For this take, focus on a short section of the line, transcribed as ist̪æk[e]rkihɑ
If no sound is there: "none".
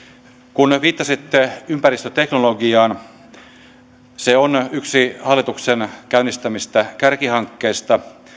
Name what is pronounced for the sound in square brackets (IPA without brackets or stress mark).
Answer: æ